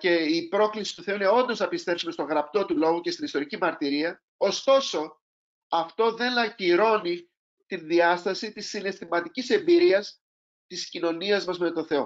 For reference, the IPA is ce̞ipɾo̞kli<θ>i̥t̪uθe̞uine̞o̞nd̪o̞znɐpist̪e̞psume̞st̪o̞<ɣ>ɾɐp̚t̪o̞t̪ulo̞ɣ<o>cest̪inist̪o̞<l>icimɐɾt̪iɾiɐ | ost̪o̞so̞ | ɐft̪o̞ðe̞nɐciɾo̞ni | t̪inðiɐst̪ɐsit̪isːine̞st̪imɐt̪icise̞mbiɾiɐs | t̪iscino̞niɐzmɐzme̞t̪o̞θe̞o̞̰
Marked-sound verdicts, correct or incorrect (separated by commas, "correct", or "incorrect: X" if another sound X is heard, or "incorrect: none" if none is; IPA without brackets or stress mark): incorrect: s, correct, incorrect: u, incorrect: ɾ